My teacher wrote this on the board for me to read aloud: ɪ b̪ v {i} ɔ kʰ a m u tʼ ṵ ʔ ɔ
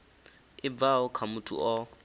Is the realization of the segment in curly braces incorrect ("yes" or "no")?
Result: yes